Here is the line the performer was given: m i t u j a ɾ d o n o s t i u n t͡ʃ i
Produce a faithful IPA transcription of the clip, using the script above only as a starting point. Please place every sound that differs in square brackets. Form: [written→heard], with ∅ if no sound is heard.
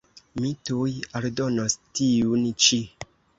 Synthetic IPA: m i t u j a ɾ d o n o s t i u n t͡ʃ i